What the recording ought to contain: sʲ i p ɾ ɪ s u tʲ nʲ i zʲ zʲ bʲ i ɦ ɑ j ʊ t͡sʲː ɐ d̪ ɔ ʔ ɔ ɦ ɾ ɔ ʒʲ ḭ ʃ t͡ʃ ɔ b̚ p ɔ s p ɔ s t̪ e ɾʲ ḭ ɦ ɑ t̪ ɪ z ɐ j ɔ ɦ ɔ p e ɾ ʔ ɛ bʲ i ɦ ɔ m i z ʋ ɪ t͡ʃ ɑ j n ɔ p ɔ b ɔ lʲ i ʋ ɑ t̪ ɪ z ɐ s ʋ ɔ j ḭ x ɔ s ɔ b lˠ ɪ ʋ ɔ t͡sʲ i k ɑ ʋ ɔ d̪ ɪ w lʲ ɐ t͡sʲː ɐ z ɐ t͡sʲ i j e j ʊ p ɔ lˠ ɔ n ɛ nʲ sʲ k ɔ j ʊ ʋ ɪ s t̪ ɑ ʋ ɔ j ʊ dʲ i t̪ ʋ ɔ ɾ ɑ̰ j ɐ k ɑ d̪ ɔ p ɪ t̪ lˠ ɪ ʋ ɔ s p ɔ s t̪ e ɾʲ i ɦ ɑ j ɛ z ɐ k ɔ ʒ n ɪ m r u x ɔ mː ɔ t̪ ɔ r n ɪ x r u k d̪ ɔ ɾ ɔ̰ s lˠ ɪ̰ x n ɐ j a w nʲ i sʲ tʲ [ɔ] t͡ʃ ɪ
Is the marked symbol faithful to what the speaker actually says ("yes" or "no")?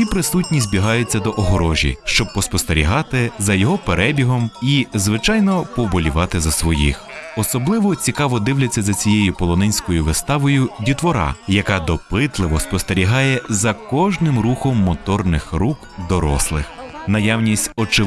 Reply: yes